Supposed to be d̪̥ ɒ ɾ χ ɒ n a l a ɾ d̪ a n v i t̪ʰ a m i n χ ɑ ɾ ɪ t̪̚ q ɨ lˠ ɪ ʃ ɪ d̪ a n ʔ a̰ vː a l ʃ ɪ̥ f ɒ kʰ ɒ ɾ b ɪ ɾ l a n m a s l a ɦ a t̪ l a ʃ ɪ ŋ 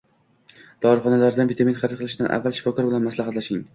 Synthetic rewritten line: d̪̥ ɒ ɾ χ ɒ n a l a ɾ d̪ a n v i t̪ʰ a m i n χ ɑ ɾ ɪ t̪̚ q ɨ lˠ ɪ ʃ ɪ d̪ a n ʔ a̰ vː a l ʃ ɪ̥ f ɒ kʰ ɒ ɾ b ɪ l a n m a s l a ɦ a t̪ l a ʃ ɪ ŋ

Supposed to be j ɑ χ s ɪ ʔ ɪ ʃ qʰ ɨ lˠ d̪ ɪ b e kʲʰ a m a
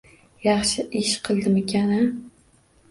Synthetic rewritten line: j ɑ χ ʃ ɪ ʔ ɪ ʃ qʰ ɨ lˠ d̪ ɪ m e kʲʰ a n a

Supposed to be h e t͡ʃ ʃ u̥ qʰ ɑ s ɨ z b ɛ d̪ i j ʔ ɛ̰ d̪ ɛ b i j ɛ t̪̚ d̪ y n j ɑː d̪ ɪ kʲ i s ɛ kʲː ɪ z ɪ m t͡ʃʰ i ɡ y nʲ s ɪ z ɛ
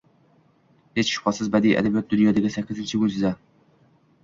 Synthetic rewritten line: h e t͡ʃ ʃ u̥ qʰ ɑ s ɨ z b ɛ d̪ i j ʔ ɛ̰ d̪ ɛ b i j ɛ t̪̚ d̪ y n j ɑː d̪ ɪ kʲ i s ɛ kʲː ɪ z ɪ n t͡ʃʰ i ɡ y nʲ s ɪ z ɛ

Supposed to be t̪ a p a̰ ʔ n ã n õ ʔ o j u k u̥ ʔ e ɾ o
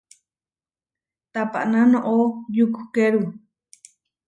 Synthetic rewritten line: t̪ a p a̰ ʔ n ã n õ ʔ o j u k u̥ k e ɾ u

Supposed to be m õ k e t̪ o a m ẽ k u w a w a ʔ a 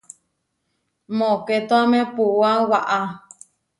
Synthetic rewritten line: m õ k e t̪ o a m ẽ p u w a w a ʔ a

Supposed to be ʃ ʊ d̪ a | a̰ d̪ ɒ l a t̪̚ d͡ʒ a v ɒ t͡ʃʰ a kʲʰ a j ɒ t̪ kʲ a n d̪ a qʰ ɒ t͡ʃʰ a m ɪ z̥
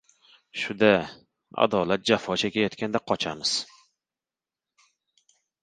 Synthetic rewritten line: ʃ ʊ d̪ a | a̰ d̪ ɒ l a t̪̚ d͡ʒ a f ɒ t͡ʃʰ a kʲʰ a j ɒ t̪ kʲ a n d̪ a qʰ ɒ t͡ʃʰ a m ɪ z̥

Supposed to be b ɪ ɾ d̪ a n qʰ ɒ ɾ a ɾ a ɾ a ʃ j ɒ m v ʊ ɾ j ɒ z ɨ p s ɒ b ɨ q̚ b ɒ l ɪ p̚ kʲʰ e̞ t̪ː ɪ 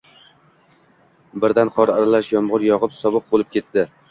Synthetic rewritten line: b ɪ ɾ d̪ a n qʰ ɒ ɾ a ɾ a l a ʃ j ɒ m ʁ ʊ ɾ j ɒ ʁ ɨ p s ɒ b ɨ q̚ b o l ɪ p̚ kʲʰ e̞ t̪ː ɪ

